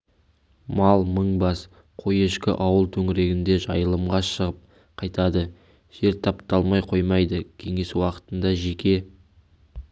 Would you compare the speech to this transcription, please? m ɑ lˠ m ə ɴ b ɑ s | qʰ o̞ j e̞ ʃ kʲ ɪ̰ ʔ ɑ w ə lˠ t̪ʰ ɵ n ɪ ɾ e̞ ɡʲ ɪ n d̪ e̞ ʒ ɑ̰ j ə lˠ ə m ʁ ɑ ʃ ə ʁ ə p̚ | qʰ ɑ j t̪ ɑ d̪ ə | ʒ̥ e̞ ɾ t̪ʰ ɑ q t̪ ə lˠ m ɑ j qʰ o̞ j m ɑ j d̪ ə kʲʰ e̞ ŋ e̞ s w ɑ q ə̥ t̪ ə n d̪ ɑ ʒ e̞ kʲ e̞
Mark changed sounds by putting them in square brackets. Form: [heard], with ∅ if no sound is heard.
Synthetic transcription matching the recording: m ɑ lˠ m ə ɴ b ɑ s | qʰ o̞ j e̞ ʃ kʲ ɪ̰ ʔ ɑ w ə lˠ t̪ʰ ɵ [ŋ] ɪ ɾ e̞ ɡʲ ɪ n d̪ e̞ ʒ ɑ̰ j ə lˠ ə m ʁ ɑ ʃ ə ʁ ə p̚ | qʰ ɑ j t̪ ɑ d̪ ə | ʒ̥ e̞ ɾ t̪ʰ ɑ [p] t̪ [ɑ] lˠ m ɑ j qʰ o̞ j m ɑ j d̪ ə kʲʰ e̞ ŋ e̞ s w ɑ q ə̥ t̪ ə n d̪ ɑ ʒ e̞ kʲ e̞